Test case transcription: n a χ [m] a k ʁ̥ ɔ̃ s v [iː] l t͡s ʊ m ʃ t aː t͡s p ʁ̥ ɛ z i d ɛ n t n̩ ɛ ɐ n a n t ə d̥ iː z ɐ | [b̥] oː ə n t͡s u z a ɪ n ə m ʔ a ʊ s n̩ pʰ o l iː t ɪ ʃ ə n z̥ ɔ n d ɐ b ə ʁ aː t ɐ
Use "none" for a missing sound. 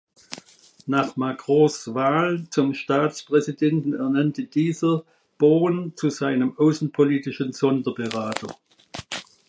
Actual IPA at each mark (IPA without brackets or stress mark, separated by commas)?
m, aː, b̥